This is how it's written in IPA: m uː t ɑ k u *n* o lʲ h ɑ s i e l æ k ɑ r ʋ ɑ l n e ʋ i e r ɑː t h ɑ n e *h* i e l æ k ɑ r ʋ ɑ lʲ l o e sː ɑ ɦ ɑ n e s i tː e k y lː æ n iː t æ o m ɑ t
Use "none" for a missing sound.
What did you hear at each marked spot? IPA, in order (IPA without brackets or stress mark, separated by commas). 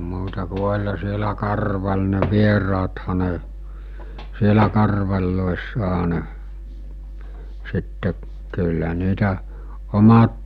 none, s